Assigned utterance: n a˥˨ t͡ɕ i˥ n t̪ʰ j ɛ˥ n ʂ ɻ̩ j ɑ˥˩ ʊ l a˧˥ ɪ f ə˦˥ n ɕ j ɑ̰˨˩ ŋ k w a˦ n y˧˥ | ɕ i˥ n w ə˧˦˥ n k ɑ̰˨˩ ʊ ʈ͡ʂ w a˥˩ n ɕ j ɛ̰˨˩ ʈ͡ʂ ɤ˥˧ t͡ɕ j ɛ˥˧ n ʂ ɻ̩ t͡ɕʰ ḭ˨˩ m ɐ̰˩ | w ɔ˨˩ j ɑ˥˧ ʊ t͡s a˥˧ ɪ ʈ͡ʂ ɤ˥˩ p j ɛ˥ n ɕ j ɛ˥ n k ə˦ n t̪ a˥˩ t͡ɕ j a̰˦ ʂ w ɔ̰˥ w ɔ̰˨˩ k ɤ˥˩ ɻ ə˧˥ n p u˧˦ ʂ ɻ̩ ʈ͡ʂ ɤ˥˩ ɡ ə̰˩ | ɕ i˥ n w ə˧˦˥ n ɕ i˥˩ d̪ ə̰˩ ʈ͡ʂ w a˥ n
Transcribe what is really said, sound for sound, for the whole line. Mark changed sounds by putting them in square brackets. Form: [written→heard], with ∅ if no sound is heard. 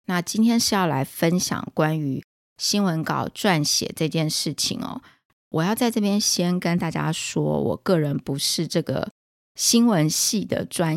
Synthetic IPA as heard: n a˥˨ t͡ɕ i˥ n t̪ʰ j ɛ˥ n ʂ ɻ̩ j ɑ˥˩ ʊ l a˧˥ ɪ f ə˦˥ n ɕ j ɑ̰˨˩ ŋ k w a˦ n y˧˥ | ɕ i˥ n w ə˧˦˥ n k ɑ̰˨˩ ʊ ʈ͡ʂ w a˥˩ n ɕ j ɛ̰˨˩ ʈ͡ʂ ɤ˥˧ t͡ɕ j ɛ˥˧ n ʂ ɻ̩ t͡ɕʰ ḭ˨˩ [m→ŋ] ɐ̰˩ | w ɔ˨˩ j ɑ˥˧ ʊ t͡s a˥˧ ɪ ʈ͡ʂ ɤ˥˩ p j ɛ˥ n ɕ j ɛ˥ n k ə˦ n t̪ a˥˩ t͡ɕ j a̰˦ ʂ w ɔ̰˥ w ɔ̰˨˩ k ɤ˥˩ ɻ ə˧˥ n p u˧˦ ʂ ɻ̩ ʈ͡ʂ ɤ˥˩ ɡ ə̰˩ | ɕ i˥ n w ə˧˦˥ n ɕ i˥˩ d̪ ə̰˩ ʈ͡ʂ w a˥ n